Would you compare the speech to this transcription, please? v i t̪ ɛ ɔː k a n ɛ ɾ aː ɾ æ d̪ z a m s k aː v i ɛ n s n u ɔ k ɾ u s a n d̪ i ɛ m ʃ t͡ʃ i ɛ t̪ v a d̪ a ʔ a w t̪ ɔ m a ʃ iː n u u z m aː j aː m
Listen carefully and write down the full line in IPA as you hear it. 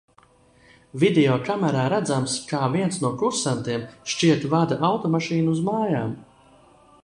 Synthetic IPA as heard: v i d̪ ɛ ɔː k a m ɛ ɾ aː ɾ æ d̪ z a m s k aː v i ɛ n s n u ɔ k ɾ u s a n t̪ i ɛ m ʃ t͡ʃ i ɛ t̪ v a d̪ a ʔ a w t̪ ɔ m a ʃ iː n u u z m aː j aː m

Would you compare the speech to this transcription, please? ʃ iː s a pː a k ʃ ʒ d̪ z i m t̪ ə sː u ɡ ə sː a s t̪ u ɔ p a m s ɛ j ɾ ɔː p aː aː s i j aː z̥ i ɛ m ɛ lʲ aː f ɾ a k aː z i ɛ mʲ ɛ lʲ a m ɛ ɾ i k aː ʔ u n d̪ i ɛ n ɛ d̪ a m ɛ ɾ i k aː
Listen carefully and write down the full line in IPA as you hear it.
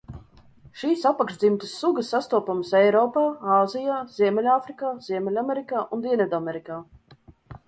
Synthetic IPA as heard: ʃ iː s a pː a k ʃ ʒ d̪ z i m t̪ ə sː u ɡ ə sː a s t̪ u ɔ p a m s ɛ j ɾ ɔː p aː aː z i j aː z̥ i ɛ m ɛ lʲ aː f ɾ i k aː z i ɛ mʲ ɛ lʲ a m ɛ ɾ i k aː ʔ u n d̪ i ɛ n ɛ d̪ a m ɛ ɾ i k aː

